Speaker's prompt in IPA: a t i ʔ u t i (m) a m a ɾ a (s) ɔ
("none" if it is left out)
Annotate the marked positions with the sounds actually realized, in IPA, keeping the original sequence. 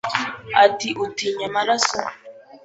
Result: ɲ, s

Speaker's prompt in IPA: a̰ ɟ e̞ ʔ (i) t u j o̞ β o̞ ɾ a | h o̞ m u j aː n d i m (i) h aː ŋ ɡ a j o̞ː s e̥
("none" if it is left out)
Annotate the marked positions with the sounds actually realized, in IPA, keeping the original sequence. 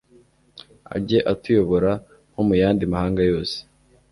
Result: a, a

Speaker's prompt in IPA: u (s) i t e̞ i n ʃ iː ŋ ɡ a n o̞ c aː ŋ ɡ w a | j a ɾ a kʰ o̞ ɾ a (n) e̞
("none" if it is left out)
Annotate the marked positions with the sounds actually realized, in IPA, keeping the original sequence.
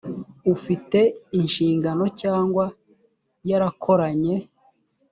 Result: f, ɲ

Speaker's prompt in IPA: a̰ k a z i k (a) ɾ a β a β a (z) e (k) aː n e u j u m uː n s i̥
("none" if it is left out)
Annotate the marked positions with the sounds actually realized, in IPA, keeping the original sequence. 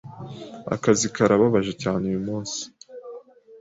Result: a, ʒ, c

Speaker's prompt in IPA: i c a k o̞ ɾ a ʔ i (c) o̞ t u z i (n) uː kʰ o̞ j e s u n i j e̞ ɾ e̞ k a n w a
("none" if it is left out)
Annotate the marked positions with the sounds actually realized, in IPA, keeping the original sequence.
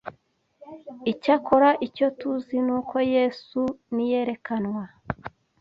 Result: c, n

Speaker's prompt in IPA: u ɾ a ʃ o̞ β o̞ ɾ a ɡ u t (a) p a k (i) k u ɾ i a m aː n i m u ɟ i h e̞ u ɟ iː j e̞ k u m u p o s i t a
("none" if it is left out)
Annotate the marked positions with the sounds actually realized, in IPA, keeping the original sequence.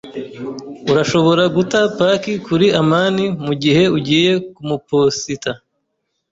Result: a, i

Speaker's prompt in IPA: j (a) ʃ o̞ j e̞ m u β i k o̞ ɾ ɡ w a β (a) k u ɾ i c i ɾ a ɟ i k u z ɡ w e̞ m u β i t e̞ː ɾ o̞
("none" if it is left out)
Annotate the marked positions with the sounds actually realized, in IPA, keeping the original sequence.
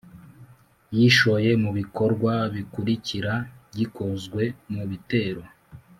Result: i, i

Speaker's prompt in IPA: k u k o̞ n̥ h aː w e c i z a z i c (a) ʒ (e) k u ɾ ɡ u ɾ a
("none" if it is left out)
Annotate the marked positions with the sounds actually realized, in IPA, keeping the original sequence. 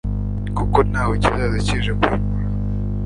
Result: i, e

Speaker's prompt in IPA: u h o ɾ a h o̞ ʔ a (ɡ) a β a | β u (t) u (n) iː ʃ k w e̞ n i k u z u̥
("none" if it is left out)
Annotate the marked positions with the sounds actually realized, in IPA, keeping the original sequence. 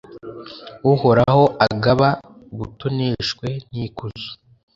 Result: ɡ, t, n

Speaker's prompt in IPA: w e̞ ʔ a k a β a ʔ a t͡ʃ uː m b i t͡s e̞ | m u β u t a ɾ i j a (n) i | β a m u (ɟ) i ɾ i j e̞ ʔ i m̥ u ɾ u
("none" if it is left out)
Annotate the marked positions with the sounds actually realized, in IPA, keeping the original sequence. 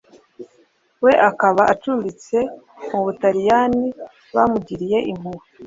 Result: n, ɟ

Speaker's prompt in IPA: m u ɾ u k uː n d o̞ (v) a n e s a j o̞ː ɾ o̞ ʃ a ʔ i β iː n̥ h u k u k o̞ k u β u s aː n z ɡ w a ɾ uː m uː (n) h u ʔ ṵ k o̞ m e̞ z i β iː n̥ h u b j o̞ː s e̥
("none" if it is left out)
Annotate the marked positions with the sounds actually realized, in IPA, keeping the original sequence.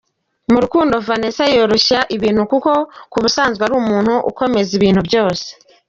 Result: v, n

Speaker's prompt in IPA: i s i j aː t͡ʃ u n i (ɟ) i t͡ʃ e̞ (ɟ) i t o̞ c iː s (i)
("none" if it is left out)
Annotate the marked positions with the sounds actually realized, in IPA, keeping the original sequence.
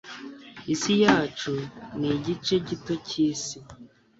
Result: ɟ, ɟ, i

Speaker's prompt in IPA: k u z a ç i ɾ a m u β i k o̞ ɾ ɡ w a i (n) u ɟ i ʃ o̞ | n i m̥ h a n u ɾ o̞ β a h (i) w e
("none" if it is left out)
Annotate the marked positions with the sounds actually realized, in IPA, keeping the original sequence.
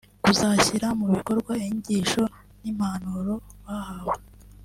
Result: ɲ, a

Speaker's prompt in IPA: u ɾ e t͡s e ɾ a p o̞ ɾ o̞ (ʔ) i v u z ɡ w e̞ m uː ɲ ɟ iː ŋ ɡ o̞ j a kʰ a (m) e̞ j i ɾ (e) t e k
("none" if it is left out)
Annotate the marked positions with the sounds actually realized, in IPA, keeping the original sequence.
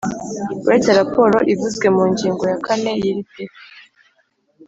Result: ʔ, n, i

